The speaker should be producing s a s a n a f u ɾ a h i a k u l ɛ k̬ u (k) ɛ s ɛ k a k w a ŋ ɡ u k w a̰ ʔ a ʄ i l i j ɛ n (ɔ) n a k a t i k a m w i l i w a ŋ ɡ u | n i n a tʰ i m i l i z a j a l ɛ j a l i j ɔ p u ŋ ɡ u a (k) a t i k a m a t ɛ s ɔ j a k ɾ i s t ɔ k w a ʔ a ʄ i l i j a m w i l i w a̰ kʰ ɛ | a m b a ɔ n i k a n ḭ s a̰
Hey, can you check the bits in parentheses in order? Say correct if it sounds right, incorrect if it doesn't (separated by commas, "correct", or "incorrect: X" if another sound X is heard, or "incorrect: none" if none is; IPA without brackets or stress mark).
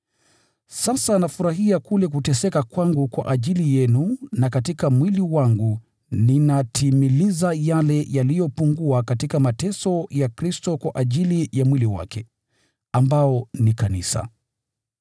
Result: incorrect: t, incorrect: u, correct